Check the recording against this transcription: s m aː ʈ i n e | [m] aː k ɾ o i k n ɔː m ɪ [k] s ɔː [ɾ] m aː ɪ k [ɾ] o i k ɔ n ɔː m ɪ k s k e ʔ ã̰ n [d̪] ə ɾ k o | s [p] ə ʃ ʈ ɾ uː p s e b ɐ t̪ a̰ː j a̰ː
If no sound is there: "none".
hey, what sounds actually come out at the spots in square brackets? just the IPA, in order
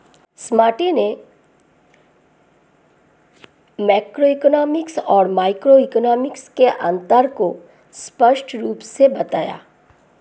m, k, ɾ, ɾ, t̪, p

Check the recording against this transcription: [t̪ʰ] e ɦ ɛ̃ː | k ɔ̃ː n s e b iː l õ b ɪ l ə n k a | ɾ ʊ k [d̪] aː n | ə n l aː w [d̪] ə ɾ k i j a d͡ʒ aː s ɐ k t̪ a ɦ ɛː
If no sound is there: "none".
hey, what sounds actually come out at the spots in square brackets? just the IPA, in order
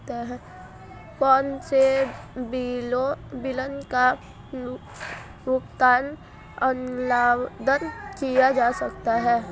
t̪, t̪, d̪

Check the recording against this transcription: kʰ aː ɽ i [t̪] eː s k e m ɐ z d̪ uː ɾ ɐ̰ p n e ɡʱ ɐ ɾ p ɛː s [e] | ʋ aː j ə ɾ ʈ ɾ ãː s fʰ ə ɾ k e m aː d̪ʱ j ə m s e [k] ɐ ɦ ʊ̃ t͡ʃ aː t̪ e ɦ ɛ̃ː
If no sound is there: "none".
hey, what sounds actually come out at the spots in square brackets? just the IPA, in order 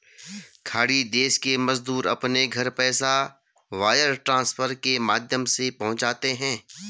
d̪, a, p

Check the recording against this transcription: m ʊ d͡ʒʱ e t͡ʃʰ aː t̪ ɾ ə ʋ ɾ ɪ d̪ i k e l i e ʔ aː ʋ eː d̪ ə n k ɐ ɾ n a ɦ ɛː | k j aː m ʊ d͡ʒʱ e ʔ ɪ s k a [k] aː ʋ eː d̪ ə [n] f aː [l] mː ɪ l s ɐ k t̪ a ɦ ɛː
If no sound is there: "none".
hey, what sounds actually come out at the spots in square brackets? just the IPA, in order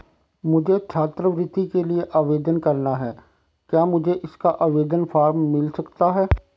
ʔ, n, ɾ

